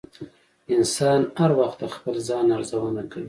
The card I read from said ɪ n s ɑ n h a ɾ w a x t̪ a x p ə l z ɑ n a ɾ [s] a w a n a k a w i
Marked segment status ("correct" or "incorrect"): incorrect